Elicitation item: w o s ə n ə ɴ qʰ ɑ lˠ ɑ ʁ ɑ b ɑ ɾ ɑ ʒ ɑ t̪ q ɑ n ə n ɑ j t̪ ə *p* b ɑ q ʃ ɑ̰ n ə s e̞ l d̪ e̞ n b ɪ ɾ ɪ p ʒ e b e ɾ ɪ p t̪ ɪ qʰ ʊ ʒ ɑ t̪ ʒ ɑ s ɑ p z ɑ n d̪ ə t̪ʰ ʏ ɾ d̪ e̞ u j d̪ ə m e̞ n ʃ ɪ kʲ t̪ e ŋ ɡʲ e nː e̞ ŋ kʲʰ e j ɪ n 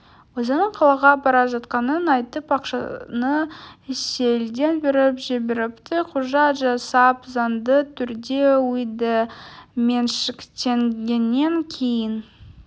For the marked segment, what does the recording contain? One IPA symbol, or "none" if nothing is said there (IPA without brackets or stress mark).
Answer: p